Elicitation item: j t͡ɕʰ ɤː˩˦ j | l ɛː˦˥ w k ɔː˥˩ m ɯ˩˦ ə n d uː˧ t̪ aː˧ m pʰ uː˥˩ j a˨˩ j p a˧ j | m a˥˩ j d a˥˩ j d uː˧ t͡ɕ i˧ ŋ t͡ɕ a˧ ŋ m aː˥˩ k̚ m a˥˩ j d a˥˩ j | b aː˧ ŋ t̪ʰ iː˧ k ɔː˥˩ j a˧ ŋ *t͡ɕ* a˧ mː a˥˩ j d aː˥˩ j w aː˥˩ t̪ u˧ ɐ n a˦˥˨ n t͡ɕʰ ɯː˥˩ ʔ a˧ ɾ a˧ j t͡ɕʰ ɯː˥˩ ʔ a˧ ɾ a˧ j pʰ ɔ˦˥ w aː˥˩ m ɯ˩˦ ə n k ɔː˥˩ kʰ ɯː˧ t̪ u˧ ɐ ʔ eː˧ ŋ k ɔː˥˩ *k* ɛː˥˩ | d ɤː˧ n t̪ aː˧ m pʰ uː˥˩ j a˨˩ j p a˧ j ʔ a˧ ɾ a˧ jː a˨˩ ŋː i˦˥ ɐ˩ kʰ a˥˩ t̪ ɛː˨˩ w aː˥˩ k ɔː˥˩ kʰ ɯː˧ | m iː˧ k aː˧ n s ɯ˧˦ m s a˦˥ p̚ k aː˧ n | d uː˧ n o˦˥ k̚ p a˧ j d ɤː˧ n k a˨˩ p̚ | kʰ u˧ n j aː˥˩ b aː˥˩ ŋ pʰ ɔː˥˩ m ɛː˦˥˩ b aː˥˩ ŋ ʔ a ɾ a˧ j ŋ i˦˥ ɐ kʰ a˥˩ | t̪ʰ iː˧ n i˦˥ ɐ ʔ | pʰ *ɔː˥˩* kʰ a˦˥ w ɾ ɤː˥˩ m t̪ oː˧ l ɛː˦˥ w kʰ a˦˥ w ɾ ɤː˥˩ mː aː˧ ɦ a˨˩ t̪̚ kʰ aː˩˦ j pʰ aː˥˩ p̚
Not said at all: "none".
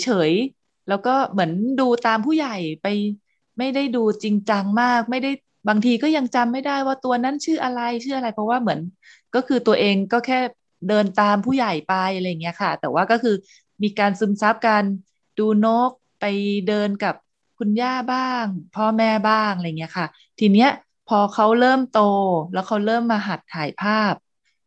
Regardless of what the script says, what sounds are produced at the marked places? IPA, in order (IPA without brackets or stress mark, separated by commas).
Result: t͡ɕ, kʰ, ɔː˧